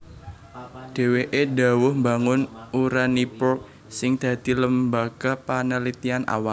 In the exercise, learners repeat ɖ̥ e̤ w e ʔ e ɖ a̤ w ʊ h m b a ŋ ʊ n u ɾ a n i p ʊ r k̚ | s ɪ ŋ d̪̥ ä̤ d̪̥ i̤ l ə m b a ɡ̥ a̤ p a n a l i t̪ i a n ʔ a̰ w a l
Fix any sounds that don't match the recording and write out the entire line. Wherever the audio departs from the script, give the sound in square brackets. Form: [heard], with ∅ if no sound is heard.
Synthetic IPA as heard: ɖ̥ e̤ w e ʔ e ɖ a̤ w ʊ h m b a ŋ ʊ n u ɾ a n i p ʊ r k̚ | s ɪ ŋ d̪̥ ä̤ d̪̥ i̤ l ə m b a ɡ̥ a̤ p a n [ə] l i t̪ i a n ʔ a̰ w a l